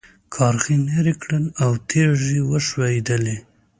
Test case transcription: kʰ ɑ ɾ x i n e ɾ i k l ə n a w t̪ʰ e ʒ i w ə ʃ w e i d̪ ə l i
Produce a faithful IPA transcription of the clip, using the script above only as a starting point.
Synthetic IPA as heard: kʰ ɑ ɾ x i n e ɾ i k ɽ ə n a w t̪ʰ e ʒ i w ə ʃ w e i d̪ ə l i